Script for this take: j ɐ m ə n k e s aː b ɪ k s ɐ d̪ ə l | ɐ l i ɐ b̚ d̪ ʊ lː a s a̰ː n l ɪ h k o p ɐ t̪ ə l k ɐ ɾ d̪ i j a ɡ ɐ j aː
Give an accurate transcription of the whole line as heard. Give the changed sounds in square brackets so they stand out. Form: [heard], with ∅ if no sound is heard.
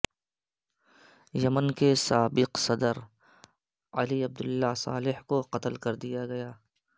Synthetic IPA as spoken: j ɐ m ə n k e s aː b ɪ [q] s ɐ d̪ ə [ɾ] | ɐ l i ɐ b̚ d̪ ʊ lː a s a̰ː [∅] l ɪ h k o [q] ɐ t̪ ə l k ɐ ɾ d̪ i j a ɡ ɐ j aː

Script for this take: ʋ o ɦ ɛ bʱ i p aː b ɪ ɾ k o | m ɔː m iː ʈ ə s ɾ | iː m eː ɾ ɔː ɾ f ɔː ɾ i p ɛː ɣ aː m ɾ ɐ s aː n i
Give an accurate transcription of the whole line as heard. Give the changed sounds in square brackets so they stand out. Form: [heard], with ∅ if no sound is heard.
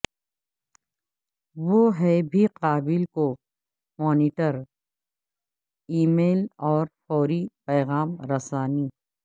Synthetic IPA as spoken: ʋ o ɦ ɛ bʱ i [q] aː b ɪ [l] k o | m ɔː [n] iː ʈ ə [∅] ɾ | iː m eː [l] ɔː ɾ f ɔː ɾ i p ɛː ɣ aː m ɾ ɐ s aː n i

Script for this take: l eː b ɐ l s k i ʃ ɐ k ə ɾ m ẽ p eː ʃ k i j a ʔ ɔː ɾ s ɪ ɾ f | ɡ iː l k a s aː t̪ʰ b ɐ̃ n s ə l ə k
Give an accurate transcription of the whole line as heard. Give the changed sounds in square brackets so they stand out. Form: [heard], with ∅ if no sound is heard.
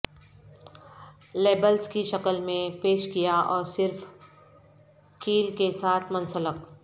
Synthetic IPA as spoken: l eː b [ə] l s k i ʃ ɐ k ə [l] m ẽ p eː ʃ k i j a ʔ ɔː ɾ s ɪ ɾ f | [k] iː l k [e] s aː t̪ʰ [m] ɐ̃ n s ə l ə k

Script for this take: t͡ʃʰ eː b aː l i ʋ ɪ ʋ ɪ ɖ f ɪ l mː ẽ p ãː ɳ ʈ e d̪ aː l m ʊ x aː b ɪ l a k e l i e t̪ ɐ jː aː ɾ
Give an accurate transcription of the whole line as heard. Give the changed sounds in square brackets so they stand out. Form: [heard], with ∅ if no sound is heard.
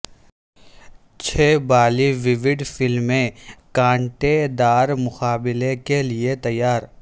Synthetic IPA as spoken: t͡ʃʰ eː b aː l i ʋ ɪ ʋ ɪ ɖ f ɪ l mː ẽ [k] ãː ɳ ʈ e d̪ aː [ɾ] m ʊ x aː b ɪ l [e] k e l i e t̪ ɐ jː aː ɾ

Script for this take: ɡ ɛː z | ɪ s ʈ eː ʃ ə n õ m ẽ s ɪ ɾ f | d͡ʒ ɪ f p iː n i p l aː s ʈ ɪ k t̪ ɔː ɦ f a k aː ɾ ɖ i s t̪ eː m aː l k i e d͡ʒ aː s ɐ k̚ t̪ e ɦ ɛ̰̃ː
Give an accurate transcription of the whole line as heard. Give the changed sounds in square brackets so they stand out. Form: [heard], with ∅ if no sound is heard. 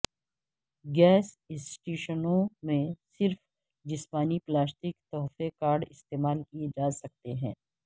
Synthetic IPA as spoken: ɡ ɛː [s] | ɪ s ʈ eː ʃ ə n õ m ẽ s ɪ ɾ f | d͡ʒ ɪ [s] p [aː] n i p l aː s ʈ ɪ k t̪ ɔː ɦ f [e] k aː ɾ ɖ [ɪ] s t̪ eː m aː l k i e d͡ʒ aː s ɐ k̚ t̪ e ɦ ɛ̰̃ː

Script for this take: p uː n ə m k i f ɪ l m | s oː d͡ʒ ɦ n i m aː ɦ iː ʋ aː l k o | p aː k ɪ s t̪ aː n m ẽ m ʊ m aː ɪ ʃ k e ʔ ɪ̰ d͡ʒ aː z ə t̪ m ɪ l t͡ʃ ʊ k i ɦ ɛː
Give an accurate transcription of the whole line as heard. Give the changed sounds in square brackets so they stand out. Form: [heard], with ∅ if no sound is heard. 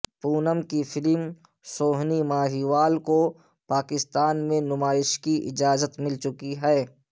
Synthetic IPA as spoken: p uː n ə m k i f ɪ l m | s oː [∅] ɦ n i m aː ɦ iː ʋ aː l k o | p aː k ɪ s t̪ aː n m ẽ [n] ʊ m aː ɪ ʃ k [i] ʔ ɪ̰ d͡ʒ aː z ə t̪ m ɪ l t͡ʃ ʊ k i ɦ ɛː

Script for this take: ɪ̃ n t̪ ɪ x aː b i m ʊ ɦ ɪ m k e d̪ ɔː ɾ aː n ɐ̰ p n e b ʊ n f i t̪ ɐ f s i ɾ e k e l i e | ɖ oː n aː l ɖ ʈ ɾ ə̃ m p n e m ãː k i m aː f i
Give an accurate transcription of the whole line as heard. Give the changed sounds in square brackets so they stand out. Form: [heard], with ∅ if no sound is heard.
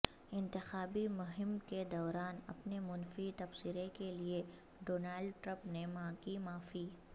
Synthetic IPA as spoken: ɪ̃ n t̪ ɪ x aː b i m ʊ ɦ ɪ m k e d̪ ɔː ɾ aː n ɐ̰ p n e [m] ʊ n f i t̪ ɐ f s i ɾ e k e l i e | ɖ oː n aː l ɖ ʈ ɾ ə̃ m p n e m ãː k i m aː f i

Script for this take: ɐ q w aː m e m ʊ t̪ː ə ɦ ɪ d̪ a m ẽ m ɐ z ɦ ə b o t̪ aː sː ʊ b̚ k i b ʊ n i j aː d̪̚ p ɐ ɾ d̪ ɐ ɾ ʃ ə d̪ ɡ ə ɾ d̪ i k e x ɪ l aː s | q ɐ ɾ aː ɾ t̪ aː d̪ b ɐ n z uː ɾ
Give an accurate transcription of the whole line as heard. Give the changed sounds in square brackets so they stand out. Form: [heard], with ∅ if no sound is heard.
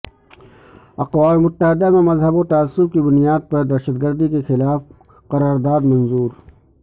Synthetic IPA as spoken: ɐ q w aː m e m ʊ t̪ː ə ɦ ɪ d̪ a m ẽ m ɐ z ɦ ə b o t̪ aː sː ʊ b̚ k i b ʊ n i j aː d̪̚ p ɐ ɾ d̪ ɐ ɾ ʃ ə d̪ ɡ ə ɾ d̪ i k e x ɪ l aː [f] | q ɐ ɾ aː ɾ [d̪] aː d̪ [m] ɐ n z uː ɾ

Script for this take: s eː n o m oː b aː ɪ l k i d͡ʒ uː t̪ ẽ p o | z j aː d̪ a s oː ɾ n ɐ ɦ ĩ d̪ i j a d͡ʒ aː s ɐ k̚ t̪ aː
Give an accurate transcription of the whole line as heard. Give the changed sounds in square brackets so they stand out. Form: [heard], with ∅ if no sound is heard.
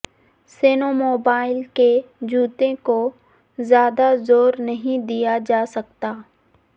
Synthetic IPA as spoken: s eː n o m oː b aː ɪ l k [e] d͡ʒ uː t̪ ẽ [k] o | z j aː d̪ a [z] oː ɾ n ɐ ɦ ĩ d̪ i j a d͡ʒ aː s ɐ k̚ t̪ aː

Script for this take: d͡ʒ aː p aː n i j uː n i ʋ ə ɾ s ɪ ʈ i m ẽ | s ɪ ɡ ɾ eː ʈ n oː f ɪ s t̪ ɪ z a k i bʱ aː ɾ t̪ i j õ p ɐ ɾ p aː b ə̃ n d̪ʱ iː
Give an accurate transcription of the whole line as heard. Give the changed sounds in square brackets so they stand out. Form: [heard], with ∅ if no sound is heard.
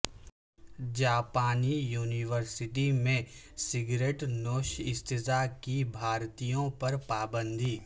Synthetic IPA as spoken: d͡ʒ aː p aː n i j uː n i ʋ ə ɾ s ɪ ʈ i m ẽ | s ɪ ɡ ɾ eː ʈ n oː [ʃ] ɪ s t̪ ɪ z a k i bʱ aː ɾ t̪ i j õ p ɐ ɾ p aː b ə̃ n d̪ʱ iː

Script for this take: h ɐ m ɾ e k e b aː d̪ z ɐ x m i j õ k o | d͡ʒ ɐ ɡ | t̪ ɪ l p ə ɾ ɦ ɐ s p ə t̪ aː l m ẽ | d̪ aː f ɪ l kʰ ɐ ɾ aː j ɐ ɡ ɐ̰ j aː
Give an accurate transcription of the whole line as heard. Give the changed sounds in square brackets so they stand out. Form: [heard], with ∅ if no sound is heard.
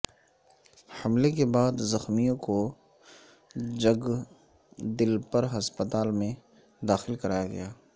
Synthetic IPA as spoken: h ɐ m [l] e k e b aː d̪ z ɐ x m i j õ k o | d͡ʒ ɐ ɡ | [d̪] ɪ l p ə ɾ ɦ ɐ s p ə t̪ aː l m ẽ | d̪ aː [x] ɪ l [k] ɐ ɾ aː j [a] ɡ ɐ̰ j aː

